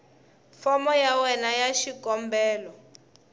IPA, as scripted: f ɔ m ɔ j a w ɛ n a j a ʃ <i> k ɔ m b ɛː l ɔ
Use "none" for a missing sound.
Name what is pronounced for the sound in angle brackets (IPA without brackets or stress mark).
i